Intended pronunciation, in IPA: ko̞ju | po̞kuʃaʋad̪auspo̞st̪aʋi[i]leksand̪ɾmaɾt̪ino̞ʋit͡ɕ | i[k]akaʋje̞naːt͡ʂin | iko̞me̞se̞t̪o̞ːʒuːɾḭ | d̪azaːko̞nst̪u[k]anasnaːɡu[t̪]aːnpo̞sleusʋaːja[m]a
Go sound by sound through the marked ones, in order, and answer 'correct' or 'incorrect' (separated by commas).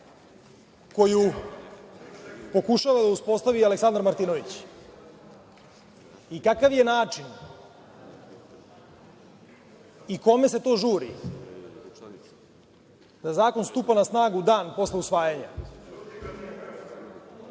incorrect, correct, incorrect, incorrect, incorrect